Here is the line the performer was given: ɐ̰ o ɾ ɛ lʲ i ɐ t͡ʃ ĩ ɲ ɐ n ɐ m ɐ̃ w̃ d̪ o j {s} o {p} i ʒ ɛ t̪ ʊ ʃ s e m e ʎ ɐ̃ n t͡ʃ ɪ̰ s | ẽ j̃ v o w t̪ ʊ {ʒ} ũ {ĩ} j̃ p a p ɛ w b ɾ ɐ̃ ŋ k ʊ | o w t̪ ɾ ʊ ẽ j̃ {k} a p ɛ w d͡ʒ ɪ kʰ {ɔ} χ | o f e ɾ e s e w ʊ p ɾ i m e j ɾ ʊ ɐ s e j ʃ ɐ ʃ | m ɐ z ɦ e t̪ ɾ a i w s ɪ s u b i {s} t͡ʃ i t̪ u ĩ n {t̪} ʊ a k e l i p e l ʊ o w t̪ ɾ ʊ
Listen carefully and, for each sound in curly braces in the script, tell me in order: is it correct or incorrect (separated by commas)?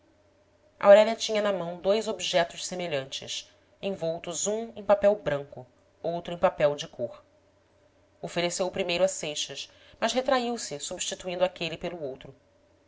incorrect, incorrect, incorrect, incorrect, incorrect, incorrect, incorrect, incorrect